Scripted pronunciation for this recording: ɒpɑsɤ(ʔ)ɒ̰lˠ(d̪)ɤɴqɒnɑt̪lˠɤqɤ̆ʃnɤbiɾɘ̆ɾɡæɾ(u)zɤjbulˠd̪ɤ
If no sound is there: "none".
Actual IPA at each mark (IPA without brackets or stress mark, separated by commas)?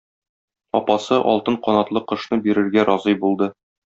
ʔ, t̪, ɒ